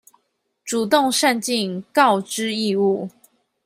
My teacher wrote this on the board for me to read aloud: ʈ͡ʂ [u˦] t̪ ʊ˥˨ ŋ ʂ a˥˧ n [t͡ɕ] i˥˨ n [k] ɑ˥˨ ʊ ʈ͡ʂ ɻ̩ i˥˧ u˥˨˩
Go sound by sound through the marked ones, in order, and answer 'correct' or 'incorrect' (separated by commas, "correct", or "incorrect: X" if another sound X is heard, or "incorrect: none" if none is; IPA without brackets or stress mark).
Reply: incorrect: u˨˩, correct, correct